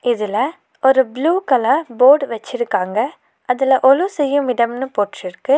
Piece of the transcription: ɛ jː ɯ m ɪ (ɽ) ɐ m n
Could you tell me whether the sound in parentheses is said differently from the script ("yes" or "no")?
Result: no